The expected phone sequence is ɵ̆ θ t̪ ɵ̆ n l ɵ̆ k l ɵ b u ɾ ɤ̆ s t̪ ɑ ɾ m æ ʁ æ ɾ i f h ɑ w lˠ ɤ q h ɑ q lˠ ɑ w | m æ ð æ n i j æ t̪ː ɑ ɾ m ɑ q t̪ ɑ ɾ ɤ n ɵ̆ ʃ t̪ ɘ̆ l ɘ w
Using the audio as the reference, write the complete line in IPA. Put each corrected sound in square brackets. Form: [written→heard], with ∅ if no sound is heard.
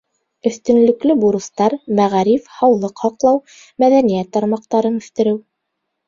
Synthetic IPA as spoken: ɵ̆ θ t̪ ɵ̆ n l ɵ̆ k l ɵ b u ɾ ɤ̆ s t̪ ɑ ɾ m æ ʁ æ ɾ i f h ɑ w lˠ ɤ q h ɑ q lˠ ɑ w | m æ ð æ n i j æ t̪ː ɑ ɾ m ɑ q t̪ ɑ ɾ ɤ n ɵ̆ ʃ t̪ ɘ̆ [l→ɾ] ɘ w